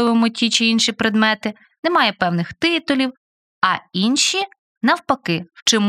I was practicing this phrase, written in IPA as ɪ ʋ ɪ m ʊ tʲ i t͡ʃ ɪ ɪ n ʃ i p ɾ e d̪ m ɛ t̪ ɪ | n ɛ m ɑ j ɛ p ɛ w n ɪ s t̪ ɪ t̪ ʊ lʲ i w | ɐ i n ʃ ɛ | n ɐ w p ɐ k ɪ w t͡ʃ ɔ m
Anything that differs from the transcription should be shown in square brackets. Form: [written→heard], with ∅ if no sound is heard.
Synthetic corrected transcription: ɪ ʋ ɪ m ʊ tʲ i t͡ʃ ɪ [ɪ→i] n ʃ i p ɾ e d̪ m ɛ t̪ ɪ | n ɛ m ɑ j ɛ p ɛ w n ɪ [s→x] t̪ ɪ t̪ ʊ lʲ i w | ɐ i n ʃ [ɛ→i] | n ɐ w p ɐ k ɪ w t͡ʃ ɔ m